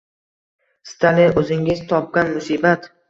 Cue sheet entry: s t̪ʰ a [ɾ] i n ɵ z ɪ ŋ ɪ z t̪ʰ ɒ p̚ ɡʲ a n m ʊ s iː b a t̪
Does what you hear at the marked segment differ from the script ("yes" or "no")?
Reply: yes